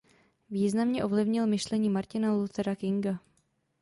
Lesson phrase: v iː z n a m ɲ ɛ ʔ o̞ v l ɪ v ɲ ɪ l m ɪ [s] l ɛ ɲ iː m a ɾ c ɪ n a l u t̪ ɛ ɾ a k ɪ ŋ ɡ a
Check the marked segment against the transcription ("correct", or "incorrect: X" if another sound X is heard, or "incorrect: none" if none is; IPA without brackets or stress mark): incorrect: ʃ